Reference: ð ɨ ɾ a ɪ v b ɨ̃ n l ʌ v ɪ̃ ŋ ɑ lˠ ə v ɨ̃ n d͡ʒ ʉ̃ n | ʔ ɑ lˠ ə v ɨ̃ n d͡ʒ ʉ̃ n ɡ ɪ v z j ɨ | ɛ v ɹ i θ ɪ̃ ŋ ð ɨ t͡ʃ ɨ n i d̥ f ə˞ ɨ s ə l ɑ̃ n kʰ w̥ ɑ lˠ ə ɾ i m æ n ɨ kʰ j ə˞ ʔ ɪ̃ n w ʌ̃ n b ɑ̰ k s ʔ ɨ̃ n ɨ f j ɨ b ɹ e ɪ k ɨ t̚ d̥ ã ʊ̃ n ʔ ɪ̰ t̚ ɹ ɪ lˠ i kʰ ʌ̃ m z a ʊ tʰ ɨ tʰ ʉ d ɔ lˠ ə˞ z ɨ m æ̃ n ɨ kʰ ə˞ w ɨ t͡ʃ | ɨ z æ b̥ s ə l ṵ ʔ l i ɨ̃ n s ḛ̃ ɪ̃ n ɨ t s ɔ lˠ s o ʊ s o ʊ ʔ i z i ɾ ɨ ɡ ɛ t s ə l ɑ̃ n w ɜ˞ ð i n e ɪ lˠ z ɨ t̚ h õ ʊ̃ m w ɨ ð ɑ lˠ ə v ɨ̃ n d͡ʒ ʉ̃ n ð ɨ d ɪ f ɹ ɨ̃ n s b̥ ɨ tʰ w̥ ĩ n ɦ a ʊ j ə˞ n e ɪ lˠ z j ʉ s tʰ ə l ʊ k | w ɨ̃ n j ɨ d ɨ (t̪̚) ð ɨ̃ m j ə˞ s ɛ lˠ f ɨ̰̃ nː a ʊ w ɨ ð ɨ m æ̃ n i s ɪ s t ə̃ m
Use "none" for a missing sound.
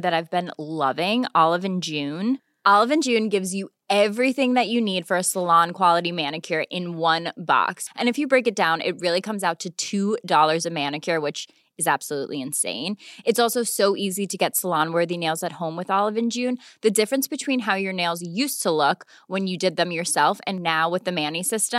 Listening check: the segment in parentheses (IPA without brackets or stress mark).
d̪̚